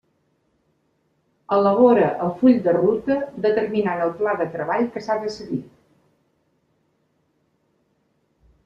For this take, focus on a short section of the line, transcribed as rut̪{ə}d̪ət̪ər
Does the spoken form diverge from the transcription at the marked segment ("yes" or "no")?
no